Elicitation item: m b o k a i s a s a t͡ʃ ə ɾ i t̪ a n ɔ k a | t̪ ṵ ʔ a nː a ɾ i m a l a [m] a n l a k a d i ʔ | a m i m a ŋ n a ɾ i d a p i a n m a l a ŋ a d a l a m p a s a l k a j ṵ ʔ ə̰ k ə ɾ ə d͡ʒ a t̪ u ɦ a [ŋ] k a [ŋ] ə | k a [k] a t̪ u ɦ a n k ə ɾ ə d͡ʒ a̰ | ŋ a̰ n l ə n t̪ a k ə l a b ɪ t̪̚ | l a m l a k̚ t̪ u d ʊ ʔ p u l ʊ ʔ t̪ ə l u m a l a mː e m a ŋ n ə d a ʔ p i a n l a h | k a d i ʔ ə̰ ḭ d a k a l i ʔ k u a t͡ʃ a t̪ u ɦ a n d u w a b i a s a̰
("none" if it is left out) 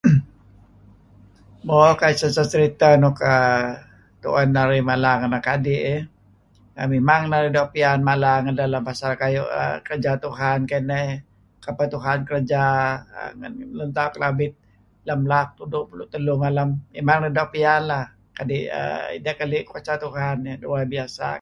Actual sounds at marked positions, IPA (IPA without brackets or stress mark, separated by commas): ŋ, n, n, p